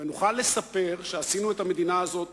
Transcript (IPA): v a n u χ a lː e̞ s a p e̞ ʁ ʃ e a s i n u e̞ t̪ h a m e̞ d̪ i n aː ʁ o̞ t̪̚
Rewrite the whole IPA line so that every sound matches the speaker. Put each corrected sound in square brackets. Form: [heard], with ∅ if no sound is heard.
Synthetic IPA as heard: v [e] n u χ a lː e̞ s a p e̞ ʁ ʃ e a s i n u e̞ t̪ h a m e̞ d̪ i n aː [z] o̞ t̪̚